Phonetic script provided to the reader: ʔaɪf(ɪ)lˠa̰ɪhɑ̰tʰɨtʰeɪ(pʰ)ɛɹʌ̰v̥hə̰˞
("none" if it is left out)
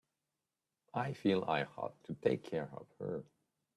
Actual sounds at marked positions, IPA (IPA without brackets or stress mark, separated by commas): i, kʰ